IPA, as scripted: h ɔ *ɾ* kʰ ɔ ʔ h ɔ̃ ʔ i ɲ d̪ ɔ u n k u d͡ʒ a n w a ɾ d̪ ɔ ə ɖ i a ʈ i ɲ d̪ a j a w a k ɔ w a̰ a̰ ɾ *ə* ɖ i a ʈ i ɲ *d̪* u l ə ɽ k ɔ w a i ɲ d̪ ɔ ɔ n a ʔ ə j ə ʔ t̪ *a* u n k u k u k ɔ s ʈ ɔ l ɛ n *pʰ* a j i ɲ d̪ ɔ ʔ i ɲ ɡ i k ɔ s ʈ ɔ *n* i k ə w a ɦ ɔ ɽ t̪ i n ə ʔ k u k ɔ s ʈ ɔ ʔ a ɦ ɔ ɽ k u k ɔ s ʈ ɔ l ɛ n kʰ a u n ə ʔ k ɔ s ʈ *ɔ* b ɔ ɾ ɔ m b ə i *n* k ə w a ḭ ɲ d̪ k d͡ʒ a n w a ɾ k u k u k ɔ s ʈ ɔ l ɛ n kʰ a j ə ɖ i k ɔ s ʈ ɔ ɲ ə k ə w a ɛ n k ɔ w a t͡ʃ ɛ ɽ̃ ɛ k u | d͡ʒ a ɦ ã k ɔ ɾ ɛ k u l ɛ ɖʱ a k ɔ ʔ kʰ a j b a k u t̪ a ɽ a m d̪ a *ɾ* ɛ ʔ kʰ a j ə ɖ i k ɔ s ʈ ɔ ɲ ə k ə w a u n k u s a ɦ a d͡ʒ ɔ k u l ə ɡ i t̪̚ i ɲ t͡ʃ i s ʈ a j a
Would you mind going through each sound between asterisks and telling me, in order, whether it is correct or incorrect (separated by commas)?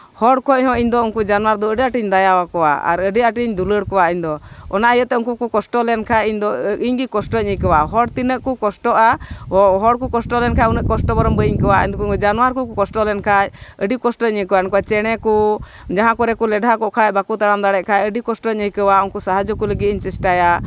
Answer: incorrect, correct, correct, incorrect, incorrect, incorrect, correct, incorrect, incorrect